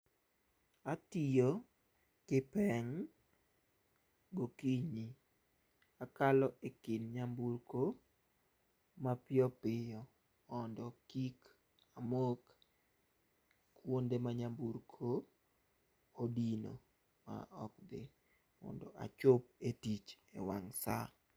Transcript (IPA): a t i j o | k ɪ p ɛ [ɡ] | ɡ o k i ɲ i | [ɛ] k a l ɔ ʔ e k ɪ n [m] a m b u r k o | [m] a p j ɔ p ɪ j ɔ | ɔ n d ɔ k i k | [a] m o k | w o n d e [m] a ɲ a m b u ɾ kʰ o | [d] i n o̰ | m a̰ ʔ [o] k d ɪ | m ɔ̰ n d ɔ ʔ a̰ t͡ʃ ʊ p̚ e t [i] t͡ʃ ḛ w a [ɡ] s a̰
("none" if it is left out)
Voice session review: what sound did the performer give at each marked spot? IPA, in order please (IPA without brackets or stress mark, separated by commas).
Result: ŋ, a, ɲ, m, a, m, d, ɔ, i, ŋ